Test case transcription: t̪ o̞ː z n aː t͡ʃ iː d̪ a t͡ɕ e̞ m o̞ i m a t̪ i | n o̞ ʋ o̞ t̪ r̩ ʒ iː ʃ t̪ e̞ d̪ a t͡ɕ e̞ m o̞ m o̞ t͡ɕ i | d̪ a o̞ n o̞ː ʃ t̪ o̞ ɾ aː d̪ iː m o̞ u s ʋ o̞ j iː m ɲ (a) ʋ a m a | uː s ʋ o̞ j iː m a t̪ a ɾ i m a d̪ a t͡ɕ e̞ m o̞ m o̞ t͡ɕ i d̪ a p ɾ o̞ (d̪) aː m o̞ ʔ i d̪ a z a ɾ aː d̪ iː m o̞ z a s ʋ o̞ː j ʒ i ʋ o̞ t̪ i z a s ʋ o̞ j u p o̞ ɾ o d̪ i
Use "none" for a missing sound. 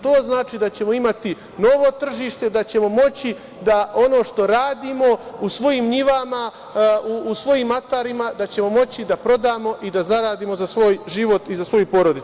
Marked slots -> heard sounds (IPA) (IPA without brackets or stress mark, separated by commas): i, d̪